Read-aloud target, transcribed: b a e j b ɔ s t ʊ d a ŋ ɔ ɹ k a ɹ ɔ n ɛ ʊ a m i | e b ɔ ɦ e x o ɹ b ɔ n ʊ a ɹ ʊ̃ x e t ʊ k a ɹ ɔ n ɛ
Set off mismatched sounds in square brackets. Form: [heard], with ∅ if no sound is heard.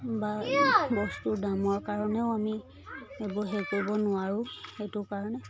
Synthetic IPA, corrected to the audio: b a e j b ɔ s t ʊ d a [m] ɔ ɹ k a ɹ ɔ n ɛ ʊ a m i | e b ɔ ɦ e [k] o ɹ b ɔ n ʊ a ɹ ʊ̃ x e t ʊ k a ɹ ɔ n ɛ